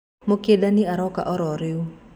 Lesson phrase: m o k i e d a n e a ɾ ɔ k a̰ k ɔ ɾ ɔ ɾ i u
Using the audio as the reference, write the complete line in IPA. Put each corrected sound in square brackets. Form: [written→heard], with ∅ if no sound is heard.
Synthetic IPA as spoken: m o k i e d a n [e→i] a ɾ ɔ k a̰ [k→ʔ] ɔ ɾ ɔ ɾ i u